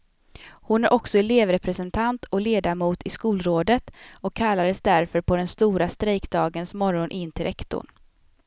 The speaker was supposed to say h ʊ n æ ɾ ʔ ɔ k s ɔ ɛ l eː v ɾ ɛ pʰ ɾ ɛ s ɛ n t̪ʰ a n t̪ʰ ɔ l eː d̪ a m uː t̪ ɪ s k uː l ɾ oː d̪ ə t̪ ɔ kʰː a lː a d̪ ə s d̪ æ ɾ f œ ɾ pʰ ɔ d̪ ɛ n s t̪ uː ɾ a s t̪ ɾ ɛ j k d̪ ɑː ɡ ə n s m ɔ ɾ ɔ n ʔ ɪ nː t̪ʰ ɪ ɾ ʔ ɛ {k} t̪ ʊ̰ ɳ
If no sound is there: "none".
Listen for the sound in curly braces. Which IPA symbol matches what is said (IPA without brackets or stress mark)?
k